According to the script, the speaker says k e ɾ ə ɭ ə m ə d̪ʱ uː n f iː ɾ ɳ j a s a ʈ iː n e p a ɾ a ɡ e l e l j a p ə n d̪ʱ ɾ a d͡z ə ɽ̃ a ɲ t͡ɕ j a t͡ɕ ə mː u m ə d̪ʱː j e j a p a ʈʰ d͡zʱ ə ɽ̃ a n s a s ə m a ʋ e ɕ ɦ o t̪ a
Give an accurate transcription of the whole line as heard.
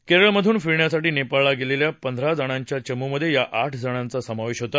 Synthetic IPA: k e ɾ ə ɭ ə m ə d̪ʱ uː n f i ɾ ɳ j a s a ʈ iː n e p a ɭ a ɡ e l e l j a p ə n d̪ʱ ɾ a d͡z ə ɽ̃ a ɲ t͡ɕ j a t͡ɕ ə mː u m ə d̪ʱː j e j a ʔ a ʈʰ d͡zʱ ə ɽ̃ a n t͡s a s ə m a ʋ e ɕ ɦ o t̪ a